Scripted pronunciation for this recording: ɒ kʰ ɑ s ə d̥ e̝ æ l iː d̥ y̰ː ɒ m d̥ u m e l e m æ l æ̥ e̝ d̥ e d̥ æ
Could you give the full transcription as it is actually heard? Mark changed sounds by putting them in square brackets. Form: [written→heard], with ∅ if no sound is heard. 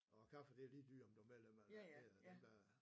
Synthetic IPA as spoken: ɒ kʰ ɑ [s→f] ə d̥ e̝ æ l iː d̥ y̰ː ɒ m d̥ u m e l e m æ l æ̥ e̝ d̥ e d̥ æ